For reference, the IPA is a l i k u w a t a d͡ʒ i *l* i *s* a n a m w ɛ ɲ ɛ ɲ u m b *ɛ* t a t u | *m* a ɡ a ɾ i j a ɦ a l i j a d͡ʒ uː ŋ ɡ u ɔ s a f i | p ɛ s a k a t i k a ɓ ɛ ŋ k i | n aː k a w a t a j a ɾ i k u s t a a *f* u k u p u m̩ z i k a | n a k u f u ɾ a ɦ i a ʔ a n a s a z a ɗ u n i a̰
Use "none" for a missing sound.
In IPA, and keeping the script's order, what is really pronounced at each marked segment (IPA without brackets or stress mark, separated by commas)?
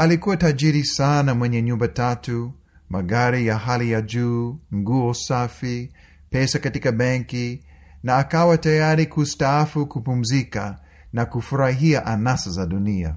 ɾ, s, a, m, f